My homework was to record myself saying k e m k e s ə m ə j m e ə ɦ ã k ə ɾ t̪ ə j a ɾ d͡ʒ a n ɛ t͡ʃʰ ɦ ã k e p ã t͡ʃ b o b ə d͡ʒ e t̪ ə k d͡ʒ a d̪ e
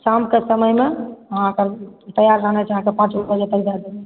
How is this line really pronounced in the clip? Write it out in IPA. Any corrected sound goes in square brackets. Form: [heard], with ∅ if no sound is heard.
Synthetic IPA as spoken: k [a] m k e s ə m ə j m e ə ɦ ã k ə ɾ t̪ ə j a ɾ d͡ʒ a n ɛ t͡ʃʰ ɦ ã k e p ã t͡ʃ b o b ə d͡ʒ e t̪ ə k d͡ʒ a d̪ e